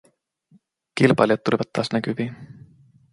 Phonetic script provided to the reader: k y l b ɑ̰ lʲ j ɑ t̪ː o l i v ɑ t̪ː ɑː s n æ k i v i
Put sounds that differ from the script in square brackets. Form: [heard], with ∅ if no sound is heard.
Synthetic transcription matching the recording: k [i] l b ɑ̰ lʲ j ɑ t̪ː [u] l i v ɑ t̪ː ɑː s n æ k [y] v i